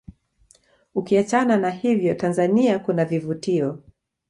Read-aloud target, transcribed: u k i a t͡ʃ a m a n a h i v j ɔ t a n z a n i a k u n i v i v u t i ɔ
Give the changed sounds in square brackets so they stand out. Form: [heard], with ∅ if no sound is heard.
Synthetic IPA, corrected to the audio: u k i a t͡ʃ a [n] a n a h i v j ɔ t a n z a n i a k u n [a] v i v u t i ɔ